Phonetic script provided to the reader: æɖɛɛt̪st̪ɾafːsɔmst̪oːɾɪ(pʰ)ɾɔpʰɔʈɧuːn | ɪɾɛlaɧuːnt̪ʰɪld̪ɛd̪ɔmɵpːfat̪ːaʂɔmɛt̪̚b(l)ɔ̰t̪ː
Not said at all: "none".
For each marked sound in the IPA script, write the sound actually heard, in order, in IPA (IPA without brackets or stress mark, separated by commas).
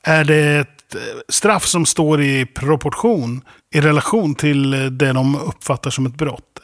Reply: pʰ, ɾ